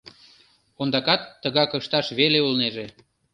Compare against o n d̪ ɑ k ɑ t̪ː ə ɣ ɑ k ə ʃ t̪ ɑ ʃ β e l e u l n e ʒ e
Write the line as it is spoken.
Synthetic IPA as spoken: o n d̪ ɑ k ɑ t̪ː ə ɣ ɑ k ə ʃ t̪ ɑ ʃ β e l e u l n e ʒ e

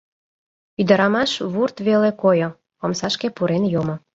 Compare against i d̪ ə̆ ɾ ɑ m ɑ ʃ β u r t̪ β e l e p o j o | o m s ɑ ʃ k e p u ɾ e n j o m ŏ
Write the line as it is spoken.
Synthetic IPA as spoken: y d̪ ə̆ ɾ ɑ m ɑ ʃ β u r t̪ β e l e k o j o | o m s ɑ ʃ k e p u ɾ e n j o m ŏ

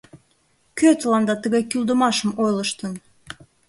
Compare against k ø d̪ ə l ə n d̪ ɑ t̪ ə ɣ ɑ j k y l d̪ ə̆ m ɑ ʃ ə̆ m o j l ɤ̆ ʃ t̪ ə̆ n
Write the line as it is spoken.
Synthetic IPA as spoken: k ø t̪ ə l ɑ n d̪ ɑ t̪ ə ɣ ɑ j k y l d̪ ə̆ m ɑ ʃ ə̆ m o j l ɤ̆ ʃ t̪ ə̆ n

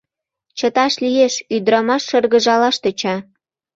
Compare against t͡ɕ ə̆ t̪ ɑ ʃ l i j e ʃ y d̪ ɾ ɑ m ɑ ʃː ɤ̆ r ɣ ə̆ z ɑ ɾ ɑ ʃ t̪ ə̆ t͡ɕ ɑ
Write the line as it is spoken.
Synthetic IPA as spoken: t͡ɕ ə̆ t̪ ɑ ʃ l i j e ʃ y d̪ ɾ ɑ m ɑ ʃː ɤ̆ r ɣ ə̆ ʒ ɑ l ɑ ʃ t̪ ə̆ t͡ɕ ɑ

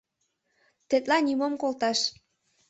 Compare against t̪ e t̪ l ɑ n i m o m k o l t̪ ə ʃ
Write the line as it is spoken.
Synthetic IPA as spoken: t̪ e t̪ l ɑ n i m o m k o l t̪ ɑ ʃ

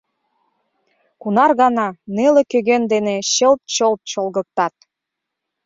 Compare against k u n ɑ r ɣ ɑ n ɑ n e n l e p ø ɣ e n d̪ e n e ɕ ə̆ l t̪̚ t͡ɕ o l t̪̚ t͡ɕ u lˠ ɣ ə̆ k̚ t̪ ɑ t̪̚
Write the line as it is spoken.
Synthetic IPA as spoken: k u n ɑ r ɣ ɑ n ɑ n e l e k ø ɣ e n d̪ e n e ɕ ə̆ l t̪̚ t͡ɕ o l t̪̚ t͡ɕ o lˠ ɣ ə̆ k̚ t̪ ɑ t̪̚

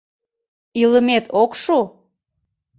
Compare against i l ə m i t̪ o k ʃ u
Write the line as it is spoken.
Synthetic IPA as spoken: i l ə m e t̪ o k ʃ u

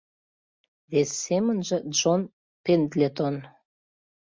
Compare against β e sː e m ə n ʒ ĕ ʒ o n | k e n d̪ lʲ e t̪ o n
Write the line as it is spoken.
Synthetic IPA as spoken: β e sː e m ə n ʒ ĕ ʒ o n | p e n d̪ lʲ e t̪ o n

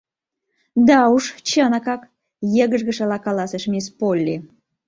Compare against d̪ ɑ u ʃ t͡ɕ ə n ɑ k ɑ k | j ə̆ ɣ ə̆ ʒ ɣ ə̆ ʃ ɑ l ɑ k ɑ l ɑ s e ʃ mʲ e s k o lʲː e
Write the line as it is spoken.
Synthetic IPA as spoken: d̪ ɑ u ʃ t͡ɕ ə n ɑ k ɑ k | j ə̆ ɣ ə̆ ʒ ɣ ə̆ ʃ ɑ l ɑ k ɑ l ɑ s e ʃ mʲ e s p o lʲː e

